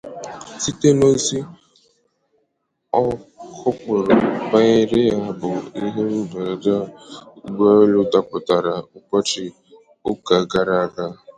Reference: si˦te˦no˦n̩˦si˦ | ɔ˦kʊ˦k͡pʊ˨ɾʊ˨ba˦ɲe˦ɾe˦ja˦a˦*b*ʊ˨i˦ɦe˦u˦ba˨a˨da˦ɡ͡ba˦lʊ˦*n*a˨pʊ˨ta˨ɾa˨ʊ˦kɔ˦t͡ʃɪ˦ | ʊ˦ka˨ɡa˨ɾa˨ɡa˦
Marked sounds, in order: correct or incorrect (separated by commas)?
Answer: correct, incorrect